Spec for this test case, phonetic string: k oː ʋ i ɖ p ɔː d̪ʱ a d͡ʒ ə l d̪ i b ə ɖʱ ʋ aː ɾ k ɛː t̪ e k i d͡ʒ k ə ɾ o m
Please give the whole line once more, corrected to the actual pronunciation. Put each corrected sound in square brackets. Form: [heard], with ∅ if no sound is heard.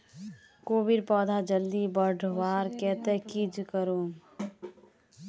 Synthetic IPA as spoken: k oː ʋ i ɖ p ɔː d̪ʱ a d͡ʒ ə l d̪ i b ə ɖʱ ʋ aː ɾ k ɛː t̪ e k i d͡ʒ k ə ɾ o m